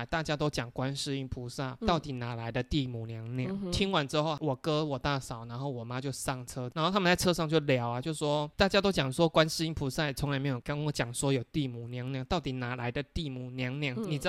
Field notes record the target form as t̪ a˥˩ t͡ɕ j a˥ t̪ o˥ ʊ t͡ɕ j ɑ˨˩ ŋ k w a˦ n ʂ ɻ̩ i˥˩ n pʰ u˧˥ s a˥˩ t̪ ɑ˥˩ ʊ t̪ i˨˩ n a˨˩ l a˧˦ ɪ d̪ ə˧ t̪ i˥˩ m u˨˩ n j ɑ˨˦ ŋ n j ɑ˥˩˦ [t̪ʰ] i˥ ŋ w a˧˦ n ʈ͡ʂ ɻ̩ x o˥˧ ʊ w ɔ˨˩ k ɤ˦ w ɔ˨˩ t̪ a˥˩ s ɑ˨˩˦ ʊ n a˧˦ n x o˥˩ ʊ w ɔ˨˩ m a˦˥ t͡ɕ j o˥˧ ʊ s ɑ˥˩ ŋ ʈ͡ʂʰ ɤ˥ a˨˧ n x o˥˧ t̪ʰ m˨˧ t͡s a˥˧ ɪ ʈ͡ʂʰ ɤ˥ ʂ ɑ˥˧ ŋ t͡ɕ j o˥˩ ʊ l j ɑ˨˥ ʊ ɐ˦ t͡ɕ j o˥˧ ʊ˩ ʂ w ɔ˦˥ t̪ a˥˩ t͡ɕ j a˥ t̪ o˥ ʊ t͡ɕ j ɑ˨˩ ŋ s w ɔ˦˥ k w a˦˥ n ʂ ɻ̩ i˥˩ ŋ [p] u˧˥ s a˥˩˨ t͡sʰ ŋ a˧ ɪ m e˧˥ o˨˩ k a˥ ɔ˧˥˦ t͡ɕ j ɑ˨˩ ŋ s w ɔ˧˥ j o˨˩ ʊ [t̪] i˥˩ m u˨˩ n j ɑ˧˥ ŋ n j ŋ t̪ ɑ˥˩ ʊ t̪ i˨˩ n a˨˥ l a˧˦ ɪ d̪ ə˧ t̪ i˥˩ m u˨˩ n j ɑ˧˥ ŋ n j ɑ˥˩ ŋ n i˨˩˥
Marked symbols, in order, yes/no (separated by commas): yes, no, yes